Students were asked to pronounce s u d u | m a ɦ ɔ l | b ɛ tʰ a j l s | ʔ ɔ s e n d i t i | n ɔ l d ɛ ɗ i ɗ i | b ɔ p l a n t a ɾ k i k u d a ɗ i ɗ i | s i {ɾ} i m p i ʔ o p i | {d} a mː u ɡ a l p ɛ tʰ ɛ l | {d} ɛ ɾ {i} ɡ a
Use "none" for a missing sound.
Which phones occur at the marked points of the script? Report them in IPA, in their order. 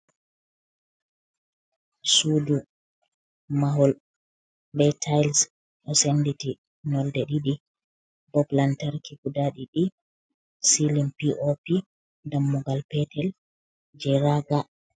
l, d, d͡ʒ, a

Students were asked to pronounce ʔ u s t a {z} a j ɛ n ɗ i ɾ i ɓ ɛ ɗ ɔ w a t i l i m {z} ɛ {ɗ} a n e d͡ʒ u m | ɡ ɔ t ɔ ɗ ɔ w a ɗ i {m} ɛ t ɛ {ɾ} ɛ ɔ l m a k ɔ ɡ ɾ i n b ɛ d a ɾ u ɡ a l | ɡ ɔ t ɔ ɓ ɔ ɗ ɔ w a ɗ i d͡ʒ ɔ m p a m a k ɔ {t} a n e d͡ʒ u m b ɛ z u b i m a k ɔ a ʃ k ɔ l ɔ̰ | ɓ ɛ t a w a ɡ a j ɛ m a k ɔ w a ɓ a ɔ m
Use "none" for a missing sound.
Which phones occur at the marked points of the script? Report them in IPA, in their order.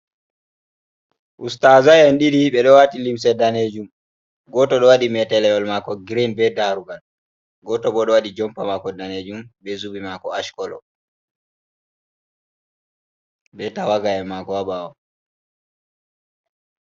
z, s, d, m, l, d

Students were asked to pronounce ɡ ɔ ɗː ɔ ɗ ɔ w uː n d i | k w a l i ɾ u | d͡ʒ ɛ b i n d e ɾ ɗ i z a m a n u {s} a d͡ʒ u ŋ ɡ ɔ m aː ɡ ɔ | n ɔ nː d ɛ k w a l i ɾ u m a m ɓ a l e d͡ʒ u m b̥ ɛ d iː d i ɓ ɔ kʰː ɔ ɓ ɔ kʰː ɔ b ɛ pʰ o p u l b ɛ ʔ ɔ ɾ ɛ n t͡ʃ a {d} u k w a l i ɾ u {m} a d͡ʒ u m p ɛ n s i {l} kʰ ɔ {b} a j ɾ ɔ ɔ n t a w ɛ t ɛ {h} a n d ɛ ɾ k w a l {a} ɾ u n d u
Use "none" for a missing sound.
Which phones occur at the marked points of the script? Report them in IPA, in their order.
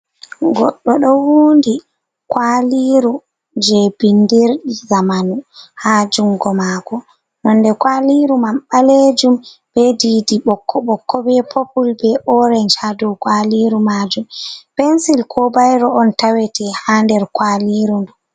h, d, m, l, b, h, i

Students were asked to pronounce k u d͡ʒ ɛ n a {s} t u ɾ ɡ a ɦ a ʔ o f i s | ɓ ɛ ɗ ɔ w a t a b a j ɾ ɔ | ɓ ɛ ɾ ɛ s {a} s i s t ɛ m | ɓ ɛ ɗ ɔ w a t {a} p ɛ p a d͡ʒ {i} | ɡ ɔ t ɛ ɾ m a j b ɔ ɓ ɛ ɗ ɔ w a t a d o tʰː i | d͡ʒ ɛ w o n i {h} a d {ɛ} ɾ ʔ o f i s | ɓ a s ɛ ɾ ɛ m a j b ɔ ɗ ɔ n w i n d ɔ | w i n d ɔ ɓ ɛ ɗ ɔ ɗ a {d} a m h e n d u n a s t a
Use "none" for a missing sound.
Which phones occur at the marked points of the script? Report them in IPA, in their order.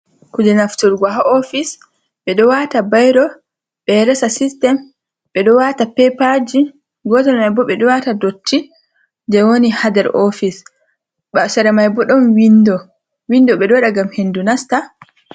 f, a, a, i, h, ɛ, ɡ

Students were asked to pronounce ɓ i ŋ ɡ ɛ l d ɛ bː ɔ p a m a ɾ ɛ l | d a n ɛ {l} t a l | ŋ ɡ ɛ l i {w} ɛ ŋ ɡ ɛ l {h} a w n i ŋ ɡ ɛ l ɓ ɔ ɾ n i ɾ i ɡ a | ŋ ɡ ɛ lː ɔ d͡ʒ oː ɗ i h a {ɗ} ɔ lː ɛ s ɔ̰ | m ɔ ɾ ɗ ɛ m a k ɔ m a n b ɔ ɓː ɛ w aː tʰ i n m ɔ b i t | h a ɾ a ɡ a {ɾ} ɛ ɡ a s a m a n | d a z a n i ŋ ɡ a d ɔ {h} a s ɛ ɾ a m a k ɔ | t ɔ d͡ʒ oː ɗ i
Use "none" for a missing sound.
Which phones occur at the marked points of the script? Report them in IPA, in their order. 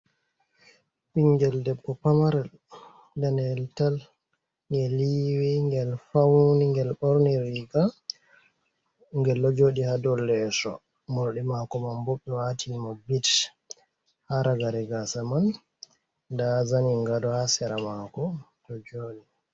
l, w, f, d, ɾ, h

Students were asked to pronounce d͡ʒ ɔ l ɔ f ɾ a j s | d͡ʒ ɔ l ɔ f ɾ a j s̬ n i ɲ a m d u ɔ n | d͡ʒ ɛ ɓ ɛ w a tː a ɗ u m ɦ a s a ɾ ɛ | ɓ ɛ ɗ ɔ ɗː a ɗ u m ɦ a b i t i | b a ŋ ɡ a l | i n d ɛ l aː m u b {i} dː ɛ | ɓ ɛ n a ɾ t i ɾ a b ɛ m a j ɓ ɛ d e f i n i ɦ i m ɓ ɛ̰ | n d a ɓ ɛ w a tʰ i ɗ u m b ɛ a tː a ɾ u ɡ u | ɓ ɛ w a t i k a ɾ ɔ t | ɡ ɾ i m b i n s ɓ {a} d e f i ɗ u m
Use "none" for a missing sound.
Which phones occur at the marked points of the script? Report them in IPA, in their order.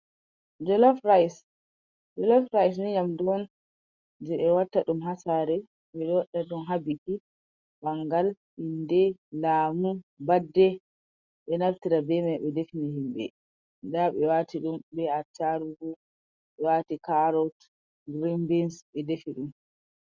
a, ɛ

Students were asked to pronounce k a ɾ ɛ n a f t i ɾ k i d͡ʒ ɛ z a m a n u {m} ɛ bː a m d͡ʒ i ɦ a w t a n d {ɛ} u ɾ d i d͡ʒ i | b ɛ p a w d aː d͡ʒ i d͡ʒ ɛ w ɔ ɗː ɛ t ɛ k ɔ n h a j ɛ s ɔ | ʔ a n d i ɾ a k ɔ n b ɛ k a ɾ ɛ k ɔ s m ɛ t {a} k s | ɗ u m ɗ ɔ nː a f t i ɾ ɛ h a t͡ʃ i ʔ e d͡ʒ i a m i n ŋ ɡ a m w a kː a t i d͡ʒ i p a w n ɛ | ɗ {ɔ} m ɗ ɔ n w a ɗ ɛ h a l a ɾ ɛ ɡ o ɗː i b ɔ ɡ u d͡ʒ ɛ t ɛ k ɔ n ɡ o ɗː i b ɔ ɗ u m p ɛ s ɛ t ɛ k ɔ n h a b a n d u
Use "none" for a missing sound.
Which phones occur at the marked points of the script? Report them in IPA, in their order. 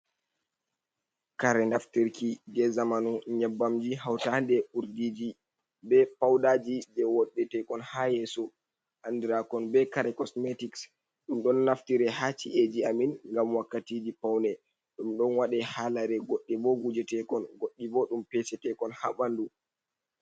ɲ, ɛ, i, u

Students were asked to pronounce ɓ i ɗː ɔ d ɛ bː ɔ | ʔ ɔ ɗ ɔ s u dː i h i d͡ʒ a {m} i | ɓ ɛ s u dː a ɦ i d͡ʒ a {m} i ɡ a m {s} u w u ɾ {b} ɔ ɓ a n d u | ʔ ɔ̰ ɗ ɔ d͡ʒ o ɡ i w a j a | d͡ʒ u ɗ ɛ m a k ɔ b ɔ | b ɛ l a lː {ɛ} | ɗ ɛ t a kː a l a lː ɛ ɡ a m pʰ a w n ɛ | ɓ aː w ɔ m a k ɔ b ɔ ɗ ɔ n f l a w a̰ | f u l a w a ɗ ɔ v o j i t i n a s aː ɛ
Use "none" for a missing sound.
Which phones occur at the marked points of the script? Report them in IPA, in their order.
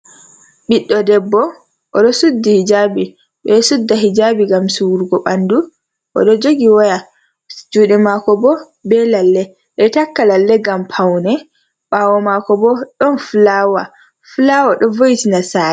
b, b, s, ɡ, ɛ

